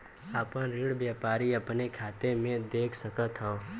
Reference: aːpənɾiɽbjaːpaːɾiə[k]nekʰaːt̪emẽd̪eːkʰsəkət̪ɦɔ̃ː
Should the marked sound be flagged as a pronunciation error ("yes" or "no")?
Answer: yes